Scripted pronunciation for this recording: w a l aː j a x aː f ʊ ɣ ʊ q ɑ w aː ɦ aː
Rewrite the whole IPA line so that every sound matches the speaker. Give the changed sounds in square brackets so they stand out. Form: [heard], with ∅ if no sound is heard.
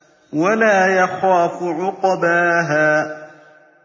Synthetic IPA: w a l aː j a x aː f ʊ [ʕ] ʊ q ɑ [b] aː ɦ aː